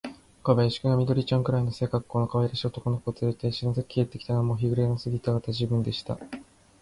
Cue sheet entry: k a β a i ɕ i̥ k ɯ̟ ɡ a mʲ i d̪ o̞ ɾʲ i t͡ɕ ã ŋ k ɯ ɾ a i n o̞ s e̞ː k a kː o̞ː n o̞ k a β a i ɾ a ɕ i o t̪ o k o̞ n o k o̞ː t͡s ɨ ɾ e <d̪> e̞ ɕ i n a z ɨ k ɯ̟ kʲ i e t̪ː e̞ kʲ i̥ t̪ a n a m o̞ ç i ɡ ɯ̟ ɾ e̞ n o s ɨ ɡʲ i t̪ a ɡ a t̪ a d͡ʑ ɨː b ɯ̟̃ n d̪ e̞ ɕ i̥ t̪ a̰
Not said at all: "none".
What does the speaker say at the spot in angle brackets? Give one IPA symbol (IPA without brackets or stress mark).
t̪